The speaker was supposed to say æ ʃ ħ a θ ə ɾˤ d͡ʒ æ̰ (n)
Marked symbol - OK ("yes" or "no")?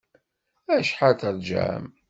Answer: no